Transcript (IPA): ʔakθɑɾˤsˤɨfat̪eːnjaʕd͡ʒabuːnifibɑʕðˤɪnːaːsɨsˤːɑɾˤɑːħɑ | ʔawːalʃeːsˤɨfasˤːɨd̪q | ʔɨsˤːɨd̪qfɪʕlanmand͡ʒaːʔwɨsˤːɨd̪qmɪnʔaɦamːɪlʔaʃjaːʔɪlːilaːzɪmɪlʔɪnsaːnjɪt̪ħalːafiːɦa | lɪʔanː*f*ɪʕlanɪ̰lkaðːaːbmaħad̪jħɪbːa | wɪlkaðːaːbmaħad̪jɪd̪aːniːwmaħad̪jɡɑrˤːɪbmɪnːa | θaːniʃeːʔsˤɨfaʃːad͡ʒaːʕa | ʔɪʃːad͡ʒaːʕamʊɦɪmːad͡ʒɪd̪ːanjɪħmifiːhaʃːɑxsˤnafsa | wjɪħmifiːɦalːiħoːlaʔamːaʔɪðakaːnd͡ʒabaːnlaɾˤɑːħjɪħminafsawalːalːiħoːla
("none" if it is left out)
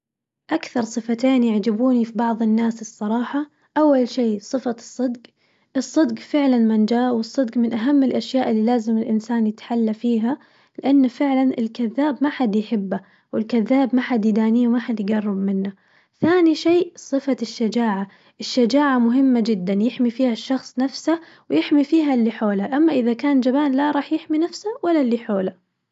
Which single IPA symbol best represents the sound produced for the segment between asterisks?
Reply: f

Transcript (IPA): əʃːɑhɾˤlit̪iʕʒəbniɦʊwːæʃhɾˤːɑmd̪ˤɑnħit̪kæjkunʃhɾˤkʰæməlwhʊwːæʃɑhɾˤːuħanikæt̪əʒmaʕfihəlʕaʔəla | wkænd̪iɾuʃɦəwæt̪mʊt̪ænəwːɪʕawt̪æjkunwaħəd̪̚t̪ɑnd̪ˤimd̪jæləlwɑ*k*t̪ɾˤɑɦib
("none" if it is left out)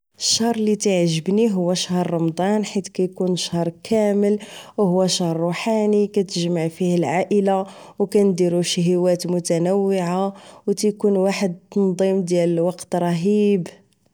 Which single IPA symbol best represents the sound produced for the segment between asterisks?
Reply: q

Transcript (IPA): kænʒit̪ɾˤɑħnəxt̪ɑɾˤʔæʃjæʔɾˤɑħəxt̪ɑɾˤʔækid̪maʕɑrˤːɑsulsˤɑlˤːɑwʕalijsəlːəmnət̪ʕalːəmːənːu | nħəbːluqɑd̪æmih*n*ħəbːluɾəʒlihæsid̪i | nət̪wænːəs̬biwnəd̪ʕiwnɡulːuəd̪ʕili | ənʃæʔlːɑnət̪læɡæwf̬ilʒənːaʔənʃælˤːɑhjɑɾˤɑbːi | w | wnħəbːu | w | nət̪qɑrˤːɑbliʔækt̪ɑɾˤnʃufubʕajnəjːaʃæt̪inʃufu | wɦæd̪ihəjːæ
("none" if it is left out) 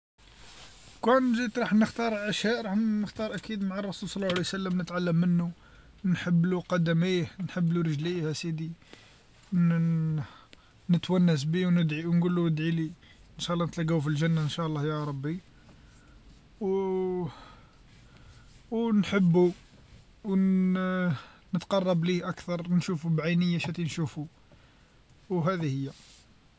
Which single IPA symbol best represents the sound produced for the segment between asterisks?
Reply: n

